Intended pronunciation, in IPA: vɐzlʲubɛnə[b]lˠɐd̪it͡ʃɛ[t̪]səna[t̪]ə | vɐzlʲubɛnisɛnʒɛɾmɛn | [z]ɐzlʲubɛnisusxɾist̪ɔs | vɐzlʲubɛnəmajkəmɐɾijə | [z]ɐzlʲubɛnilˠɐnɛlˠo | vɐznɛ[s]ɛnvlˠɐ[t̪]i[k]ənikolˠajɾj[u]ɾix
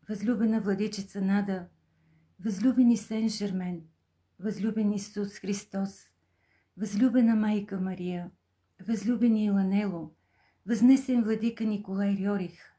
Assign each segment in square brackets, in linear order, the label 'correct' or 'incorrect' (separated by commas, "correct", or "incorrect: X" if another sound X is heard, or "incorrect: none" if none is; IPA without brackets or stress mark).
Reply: incorrect: v, correct, incorrect: d̪, incorrect: v, incorrect: v, correct, incorrect: d̪, correct, incorrect: ɔ